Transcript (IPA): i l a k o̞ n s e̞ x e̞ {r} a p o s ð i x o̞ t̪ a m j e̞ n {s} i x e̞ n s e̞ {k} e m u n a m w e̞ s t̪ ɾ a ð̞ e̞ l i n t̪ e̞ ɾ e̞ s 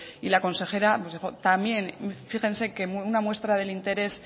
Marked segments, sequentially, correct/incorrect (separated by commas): incorrect, incorrect, correct